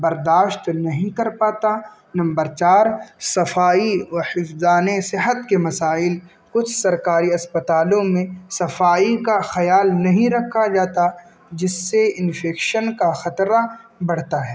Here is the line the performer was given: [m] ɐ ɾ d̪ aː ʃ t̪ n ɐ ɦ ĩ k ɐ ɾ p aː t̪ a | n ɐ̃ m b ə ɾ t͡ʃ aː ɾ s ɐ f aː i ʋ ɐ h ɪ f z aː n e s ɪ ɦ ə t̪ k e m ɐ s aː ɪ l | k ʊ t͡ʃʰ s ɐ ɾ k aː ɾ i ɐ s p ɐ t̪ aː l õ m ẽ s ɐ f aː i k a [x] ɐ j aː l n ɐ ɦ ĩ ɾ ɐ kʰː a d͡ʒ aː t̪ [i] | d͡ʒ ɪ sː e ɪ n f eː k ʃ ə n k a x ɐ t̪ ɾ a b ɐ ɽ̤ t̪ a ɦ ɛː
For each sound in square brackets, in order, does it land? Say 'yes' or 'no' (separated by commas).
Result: no, yes, no